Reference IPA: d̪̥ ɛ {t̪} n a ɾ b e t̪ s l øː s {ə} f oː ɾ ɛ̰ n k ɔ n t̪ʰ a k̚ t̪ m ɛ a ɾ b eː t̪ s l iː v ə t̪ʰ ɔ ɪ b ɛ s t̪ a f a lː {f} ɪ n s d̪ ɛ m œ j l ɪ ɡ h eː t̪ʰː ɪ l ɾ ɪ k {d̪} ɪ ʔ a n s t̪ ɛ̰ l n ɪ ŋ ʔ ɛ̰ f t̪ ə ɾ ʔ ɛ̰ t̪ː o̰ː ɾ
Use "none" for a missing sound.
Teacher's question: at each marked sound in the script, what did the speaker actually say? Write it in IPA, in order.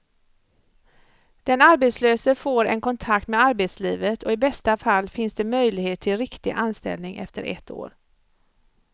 none, ə, f, t̪

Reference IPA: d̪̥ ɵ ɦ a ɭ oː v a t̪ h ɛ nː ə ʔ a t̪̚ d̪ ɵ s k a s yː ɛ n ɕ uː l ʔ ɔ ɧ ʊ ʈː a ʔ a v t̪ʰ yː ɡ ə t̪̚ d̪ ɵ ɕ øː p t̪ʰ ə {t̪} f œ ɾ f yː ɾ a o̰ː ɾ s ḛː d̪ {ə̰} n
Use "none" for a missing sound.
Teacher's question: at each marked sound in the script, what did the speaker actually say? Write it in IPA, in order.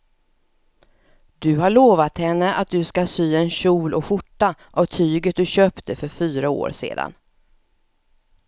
none, a̰

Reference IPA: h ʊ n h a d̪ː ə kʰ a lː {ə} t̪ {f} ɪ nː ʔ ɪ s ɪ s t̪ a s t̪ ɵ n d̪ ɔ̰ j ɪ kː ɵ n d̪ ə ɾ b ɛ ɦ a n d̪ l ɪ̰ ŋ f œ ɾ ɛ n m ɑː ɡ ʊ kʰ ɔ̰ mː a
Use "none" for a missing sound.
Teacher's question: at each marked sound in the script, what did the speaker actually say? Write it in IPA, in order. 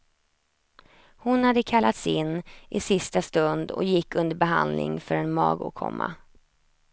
a, s

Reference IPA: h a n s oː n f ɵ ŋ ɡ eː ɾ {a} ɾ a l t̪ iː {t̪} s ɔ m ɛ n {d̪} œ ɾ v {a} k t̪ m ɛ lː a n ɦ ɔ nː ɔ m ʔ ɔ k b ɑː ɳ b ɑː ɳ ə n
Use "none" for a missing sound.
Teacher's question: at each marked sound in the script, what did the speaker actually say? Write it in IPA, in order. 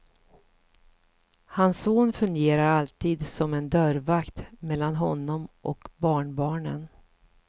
a, d̪, d̪, a

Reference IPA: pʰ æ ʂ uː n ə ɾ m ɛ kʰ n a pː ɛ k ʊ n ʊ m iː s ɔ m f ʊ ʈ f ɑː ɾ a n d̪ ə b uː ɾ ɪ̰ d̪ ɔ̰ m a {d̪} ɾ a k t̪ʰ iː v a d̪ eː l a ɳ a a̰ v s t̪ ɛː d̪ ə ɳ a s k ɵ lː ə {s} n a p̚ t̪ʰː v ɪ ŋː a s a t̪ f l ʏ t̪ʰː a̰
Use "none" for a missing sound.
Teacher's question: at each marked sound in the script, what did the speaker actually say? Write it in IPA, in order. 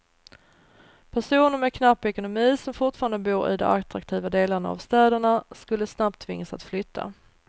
t̪, s

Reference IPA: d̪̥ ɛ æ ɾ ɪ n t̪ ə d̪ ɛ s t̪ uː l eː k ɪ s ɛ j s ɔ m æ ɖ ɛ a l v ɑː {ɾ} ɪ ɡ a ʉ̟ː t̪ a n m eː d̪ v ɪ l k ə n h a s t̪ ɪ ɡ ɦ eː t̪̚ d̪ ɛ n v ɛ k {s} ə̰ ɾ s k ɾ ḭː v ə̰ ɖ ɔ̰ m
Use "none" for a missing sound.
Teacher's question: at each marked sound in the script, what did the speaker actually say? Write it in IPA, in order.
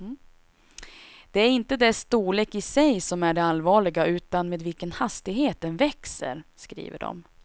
ɭ, s

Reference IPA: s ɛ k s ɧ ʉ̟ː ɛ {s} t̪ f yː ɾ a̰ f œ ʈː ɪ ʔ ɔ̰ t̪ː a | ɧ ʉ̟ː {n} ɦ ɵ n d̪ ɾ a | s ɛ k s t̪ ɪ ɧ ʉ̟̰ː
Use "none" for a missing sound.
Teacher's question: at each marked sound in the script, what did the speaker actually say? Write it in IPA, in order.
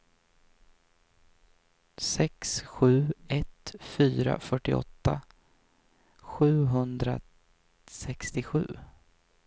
none, none

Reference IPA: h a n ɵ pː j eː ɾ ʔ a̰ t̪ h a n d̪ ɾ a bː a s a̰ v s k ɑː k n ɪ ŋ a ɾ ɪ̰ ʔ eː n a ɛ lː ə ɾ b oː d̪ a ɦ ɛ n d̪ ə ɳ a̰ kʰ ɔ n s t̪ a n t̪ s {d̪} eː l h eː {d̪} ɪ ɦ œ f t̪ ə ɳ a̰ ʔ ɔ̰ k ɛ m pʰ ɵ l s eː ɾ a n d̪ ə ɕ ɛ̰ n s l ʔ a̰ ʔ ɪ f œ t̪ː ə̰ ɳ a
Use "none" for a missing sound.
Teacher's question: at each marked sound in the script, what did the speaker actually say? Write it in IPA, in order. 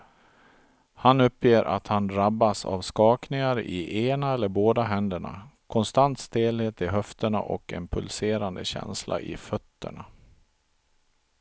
t̪, t̪

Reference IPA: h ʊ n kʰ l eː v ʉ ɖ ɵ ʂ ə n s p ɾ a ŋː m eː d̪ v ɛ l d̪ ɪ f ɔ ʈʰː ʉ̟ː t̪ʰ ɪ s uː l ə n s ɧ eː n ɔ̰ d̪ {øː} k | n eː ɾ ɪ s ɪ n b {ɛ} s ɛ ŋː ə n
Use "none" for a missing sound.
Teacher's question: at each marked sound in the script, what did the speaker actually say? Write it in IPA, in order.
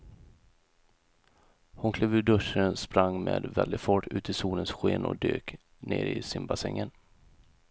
øː, a

